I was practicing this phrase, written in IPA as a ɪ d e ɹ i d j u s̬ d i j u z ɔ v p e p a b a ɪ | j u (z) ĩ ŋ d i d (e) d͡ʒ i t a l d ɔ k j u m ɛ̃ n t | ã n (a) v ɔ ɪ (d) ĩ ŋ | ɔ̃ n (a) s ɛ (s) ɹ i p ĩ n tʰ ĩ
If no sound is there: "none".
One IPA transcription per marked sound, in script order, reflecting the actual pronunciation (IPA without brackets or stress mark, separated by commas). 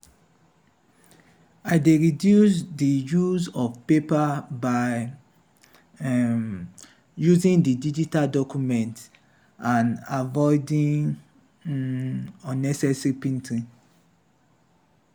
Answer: z, i, a, d, ɛ, s